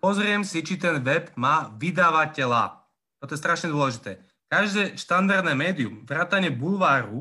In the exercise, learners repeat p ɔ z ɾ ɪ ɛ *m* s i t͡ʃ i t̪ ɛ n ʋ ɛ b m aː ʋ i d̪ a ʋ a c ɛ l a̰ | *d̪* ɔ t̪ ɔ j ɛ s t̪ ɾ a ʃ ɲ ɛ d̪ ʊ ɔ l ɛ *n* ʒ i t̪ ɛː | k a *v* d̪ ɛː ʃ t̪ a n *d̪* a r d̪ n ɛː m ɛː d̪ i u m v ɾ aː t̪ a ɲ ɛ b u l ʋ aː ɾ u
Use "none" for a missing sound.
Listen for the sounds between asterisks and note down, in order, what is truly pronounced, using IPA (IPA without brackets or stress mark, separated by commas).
m, t̪, none, ʒ, d̪